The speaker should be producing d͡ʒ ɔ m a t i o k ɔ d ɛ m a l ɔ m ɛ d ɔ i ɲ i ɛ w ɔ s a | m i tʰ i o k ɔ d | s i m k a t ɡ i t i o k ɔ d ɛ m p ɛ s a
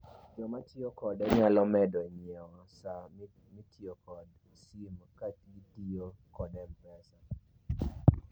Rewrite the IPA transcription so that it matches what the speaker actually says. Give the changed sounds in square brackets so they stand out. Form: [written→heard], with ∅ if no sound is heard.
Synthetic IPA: d͡ʒ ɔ m a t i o k ɔ d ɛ [m→ɲ] a l ɔ m ɛ d ɔ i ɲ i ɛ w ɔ s a | m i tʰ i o k ɔ d | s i m k a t ɡ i t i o k ɔ d ɛ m p ɛ s a